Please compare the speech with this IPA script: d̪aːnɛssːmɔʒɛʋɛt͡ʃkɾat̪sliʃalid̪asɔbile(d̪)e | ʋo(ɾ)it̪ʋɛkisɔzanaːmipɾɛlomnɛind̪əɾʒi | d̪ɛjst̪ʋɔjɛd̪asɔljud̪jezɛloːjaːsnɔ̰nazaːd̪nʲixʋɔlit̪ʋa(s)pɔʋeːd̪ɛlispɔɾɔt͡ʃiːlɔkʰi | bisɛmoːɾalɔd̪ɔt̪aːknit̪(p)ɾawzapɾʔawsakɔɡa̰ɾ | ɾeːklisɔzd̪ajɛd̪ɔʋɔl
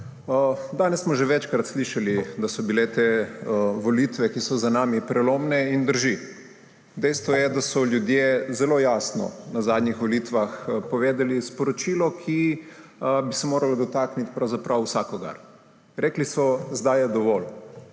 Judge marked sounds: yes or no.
no, no, no, yes

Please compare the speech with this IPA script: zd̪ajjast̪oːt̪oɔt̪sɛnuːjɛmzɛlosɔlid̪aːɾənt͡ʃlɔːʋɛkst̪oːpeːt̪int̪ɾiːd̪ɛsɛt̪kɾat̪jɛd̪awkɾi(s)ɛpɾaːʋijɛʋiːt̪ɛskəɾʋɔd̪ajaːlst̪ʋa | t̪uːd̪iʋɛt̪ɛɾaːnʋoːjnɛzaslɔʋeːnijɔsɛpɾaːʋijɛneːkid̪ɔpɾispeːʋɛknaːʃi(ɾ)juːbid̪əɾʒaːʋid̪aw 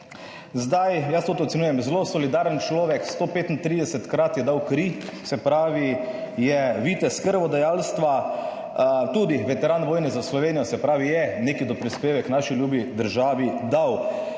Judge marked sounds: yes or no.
yes, no

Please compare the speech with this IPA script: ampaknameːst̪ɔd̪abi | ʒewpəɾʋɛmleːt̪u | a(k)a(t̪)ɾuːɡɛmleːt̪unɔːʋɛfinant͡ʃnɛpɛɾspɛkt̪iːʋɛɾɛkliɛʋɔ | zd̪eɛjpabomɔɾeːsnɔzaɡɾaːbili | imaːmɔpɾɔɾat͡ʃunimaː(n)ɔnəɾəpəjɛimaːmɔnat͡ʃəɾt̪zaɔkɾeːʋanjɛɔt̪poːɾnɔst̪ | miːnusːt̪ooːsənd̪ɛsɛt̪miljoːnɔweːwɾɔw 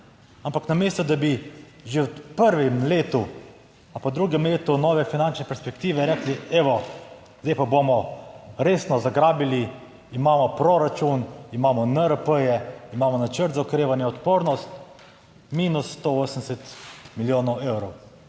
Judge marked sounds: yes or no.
no, no, no

